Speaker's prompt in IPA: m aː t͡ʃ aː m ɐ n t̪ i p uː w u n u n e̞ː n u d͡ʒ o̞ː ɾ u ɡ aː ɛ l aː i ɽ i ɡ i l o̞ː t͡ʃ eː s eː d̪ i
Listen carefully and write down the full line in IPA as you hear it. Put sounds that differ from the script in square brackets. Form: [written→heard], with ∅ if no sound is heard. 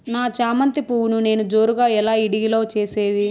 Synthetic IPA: [m→n] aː t͡ʃ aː m ɐ n t̪ i p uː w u n u n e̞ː n u d͡ʒ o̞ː ɾ u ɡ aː ɛ l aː i ɽ i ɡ i l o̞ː t͡ʃ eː s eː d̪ i